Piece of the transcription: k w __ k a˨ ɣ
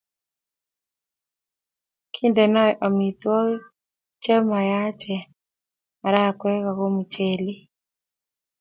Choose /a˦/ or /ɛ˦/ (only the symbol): ɛ˦